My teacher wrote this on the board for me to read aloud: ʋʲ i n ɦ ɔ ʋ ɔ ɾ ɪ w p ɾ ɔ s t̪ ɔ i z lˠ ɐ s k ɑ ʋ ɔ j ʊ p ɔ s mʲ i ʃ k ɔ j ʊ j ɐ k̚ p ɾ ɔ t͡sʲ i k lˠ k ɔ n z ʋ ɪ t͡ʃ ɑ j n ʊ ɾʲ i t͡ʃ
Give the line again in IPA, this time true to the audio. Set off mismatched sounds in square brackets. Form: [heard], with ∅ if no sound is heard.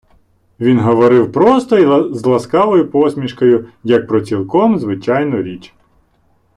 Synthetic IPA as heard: ʋʲ i n ɦ ɔ ʋ ɔ ɾ ɪ w p ɾ ɔ s t̪ ɔ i z lˠ ɐ s k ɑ ʋ ɔ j ʊ p ɔ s mʲ i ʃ k ɔ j ʊ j ɐ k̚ p ɾ ɔ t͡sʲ i [∅] lˠ k ɔ [m] z ʋ ɪ t͡ʃ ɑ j n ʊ ɾʲ i t͡ʃ